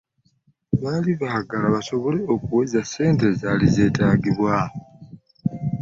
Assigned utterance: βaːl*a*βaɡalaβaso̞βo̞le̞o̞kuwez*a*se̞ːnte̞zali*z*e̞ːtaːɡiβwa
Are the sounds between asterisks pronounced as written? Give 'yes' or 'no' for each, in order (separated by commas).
no, yes, yes